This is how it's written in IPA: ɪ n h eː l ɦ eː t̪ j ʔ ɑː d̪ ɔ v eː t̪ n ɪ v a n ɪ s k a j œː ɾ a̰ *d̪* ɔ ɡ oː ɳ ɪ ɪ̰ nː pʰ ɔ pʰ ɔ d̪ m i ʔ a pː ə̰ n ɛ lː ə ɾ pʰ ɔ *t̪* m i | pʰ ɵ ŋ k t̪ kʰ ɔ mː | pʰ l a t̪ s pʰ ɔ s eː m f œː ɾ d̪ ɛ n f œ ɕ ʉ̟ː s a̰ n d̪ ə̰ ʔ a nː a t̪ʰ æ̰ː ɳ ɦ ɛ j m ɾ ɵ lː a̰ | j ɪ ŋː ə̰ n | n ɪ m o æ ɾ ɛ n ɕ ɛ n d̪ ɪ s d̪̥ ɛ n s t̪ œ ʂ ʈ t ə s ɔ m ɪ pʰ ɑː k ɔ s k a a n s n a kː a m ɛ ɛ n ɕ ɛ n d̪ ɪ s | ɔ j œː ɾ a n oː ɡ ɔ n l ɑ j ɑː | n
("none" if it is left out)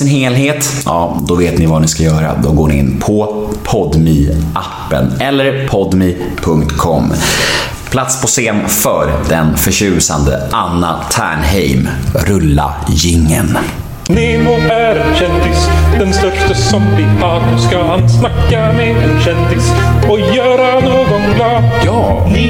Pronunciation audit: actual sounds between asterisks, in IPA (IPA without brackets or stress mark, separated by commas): d̪, d̪